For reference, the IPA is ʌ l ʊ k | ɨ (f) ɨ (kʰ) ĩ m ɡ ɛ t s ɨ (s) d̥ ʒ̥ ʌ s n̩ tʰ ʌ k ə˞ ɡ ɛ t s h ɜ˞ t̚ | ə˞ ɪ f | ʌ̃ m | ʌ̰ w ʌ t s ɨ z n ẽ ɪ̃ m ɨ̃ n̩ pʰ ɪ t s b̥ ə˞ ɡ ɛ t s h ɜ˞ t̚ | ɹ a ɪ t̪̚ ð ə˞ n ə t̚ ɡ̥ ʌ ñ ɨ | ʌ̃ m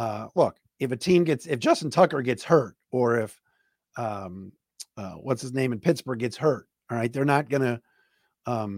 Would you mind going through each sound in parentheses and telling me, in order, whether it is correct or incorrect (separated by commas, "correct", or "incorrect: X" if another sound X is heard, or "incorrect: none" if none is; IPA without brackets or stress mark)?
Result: correct, incorrect: tʰ, incorrect: f